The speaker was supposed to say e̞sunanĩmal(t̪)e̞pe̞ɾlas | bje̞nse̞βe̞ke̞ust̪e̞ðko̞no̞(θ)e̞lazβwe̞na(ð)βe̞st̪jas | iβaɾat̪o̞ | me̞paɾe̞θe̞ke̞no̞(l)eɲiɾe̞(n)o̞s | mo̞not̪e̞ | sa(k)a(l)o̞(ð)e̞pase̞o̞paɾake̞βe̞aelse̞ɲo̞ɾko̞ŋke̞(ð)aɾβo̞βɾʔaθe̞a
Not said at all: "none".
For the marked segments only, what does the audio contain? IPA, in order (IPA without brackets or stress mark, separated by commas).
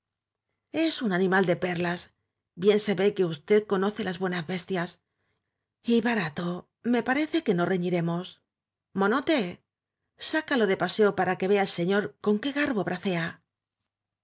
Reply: d̪, θ, z, r, m, k, l, ð, ɣ